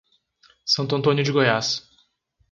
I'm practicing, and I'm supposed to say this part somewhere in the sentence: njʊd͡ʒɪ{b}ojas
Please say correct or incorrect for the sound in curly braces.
incorrect